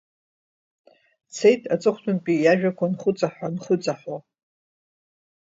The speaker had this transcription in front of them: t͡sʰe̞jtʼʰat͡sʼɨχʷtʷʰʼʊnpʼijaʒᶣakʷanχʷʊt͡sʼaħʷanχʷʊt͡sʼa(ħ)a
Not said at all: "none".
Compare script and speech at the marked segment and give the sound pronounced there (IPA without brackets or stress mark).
ħ